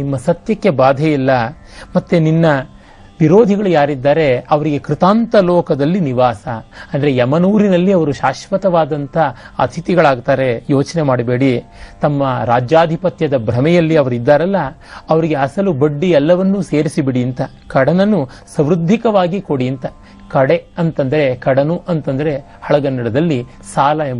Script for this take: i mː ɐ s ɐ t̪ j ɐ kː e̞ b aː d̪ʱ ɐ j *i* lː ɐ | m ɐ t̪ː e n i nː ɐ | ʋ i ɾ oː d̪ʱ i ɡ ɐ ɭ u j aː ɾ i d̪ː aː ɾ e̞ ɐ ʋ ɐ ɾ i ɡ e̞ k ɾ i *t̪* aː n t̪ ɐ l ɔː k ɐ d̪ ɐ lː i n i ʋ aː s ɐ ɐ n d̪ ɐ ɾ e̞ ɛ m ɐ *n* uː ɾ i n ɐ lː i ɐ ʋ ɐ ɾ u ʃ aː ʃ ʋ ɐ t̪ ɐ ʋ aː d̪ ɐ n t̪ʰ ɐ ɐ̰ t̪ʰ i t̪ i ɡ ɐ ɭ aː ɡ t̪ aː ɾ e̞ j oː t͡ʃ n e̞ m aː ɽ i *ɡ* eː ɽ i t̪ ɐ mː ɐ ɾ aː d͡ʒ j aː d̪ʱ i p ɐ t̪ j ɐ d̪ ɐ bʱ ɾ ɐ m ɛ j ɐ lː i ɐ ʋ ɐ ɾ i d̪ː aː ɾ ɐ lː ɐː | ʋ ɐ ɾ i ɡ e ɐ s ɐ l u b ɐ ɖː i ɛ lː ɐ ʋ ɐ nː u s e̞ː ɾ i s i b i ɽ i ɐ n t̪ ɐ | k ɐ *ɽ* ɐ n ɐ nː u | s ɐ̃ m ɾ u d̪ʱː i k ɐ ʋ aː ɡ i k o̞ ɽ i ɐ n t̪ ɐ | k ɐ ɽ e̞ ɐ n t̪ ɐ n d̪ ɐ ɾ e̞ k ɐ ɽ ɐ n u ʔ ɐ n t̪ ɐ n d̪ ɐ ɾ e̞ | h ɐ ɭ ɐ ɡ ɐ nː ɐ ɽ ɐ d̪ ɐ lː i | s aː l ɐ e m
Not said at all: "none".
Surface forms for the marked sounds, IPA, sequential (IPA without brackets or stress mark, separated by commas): i, t̪, n, b, ɽ